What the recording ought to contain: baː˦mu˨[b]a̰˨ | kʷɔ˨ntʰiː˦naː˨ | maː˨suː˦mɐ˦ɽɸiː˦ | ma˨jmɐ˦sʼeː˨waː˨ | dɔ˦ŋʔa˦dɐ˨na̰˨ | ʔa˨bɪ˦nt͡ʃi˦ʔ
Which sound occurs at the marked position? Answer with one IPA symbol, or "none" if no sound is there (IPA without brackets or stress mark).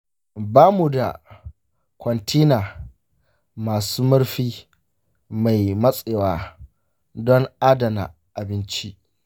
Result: d